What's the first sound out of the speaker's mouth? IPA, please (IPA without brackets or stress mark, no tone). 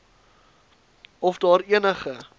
ɔ